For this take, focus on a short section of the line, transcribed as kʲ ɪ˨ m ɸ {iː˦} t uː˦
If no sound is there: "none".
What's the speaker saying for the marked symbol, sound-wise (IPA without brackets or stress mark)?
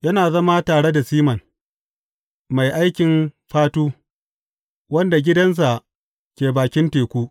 aː˦